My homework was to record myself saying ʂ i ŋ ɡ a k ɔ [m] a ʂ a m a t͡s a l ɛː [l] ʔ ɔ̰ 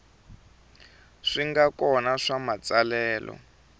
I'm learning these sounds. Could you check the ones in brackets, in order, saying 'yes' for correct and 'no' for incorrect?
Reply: no, yes

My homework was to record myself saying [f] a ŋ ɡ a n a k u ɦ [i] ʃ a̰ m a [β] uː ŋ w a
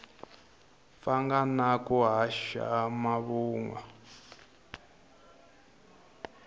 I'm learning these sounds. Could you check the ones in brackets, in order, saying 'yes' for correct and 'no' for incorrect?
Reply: yes, no, yes

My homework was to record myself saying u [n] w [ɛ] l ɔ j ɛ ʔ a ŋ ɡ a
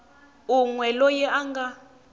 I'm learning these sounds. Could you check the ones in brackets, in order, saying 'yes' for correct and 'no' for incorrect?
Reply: no, yes

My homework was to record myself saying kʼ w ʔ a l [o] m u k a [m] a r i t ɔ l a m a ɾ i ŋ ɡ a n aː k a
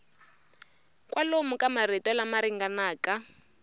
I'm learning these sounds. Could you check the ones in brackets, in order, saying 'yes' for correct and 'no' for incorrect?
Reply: yes, yes

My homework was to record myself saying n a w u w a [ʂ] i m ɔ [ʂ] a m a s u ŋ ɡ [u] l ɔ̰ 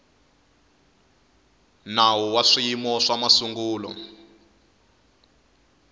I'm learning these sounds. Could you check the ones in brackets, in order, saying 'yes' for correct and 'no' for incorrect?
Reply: yes, yes, no

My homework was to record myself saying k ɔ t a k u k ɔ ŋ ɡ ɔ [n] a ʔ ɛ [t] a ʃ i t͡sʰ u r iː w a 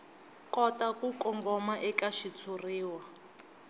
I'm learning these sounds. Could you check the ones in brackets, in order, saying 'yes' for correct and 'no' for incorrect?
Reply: no, no

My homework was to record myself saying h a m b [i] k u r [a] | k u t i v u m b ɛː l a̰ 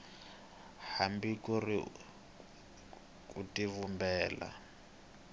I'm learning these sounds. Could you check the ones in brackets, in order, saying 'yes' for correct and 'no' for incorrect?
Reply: yes, no

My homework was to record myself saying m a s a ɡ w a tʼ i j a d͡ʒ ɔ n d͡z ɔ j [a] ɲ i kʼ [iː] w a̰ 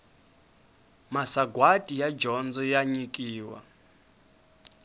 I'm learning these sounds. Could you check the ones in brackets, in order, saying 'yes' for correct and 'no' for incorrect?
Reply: yes, yes

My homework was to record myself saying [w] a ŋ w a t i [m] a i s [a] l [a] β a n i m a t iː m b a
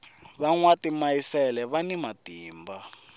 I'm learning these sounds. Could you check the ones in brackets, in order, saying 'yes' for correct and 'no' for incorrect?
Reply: no, yes, no, no

